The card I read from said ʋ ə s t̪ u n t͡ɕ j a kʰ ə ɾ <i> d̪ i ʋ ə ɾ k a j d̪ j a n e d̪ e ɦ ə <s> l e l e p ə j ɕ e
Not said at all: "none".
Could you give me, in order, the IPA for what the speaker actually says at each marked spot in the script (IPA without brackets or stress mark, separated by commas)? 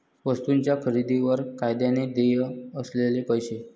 i, s